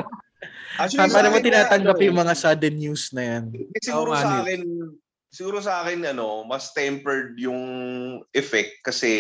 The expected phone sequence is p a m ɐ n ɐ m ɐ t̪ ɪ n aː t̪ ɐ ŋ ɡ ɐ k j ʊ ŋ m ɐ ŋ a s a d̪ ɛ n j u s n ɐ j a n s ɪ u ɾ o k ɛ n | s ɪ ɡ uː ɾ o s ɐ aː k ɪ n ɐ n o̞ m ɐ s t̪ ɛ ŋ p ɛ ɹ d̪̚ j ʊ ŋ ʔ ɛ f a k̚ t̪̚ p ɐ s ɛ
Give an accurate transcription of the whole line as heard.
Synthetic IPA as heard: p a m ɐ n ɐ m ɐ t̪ ɪ n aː t̪ ɐ ŋ ɡ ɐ p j ʊ ŋ m ɐ ŋ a s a d̪ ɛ n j u s n ɐ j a n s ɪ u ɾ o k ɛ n | s ɪ ɡ uː ɾ o s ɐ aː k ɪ n ɐ n o̞ m ɐ s t̪ ɛ m p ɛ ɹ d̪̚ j ʊ ŋ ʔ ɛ f ɛ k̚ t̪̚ k ɐ s ɛ